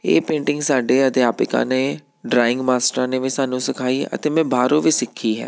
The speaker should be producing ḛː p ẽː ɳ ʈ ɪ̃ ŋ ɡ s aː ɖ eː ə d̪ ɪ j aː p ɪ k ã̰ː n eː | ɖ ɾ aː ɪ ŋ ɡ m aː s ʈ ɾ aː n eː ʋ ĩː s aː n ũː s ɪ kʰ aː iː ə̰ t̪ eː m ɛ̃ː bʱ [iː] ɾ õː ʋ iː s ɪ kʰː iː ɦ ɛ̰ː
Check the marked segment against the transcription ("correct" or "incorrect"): incorrect